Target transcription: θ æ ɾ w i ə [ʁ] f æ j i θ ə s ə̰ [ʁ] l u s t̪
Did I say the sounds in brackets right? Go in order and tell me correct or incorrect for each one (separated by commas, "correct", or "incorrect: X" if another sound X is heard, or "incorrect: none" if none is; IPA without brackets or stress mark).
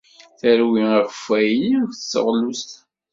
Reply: correct, correct